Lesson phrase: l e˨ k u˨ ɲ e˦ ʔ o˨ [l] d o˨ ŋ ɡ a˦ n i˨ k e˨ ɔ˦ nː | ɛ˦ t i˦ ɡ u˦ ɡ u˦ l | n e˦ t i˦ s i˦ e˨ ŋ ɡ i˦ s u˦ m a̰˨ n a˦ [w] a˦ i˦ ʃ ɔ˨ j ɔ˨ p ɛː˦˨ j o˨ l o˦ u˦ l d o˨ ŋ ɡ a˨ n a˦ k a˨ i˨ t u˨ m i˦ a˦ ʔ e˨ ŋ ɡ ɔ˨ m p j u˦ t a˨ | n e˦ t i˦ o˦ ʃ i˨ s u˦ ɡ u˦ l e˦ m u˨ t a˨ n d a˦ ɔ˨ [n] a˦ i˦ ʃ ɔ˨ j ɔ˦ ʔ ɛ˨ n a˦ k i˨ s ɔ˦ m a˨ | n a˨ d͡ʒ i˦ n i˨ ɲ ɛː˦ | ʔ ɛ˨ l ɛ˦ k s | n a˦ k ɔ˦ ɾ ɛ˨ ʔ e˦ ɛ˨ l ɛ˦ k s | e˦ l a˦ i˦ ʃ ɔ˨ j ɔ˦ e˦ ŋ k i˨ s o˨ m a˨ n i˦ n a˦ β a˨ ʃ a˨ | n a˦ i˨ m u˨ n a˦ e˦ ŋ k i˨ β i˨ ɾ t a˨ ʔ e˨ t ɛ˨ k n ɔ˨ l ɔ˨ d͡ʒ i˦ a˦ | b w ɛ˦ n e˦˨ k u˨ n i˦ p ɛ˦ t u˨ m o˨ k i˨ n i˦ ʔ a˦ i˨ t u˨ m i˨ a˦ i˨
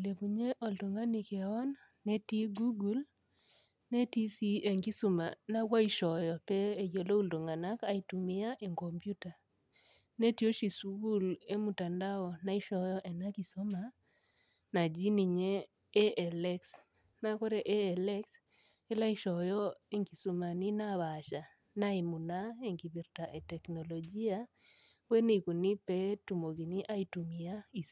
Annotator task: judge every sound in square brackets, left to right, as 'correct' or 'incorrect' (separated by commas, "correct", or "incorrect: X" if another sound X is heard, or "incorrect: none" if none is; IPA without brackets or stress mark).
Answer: correct, correct, correct